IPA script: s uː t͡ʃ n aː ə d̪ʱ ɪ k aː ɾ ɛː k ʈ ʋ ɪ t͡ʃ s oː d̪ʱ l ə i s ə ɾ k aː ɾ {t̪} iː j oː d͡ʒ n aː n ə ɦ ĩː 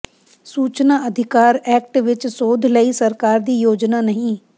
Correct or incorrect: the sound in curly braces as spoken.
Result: incorrect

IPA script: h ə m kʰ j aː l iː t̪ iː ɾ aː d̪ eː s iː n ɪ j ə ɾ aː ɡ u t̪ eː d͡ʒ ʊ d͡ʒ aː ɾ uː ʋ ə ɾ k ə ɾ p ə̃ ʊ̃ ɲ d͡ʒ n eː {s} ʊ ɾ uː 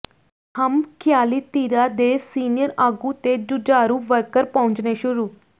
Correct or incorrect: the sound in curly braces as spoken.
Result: incorrect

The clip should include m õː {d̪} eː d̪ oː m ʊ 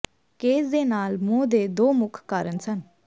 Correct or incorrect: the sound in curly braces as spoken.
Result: correct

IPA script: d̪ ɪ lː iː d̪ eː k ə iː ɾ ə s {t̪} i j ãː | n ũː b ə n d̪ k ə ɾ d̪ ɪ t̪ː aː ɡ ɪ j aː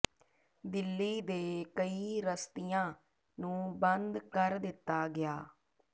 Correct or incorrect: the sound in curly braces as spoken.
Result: correct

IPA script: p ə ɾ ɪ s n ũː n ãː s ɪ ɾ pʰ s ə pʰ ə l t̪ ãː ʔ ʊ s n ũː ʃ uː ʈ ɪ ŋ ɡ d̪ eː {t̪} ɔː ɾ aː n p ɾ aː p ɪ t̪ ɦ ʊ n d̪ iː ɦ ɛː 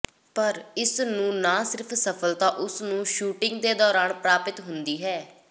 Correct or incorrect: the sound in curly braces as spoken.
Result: incorrect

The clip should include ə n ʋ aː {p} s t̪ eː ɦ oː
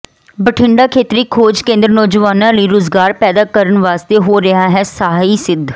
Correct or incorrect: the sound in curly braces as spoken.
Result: incorrect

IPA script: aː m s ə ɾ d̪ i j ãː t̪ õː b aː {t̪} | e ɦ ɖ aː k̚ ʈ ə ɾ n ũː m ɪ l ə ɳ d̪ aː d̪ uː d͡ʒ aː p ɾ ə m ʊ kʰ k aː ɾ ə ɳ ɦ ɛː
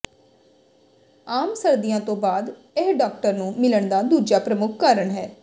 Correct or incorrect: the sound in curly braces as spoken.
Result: incorrect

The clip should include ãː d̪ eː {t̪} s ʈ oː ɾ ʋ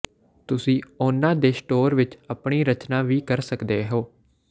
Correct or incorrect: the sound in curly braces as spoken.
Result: incorrect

